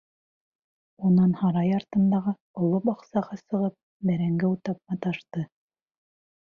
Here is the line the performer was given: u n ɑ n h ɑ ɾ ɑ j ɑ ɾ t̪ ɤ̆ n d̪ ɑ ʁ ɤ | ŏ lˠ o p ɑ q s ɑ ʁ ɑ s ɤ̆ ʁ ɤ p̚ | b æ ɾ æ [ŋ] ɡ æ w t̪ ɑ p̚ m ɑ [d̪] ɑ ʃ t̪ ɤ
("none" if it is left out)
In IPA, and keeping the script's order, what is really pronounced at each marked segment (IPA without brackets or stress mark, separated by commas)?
ŋ, t̪